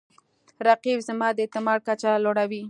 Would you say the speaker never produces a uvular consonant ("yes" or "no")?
no